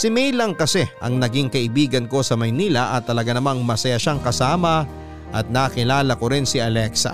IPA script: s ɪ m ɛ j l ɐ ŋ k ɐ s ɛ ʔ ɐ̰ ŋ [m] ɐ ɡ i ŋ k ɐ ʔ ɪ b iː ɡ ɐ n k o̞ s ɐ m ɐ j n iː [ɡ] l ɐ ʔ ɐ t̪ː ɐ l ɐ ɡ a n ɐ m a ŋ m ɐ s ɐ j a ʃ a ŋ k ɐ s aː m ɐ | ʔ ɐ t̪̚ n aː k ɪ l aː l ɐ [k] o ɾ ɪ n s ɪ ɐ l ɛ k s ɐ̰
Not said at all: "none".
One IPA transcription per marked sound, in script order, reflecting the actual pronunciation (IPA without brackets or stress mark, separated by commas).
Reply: n, none, k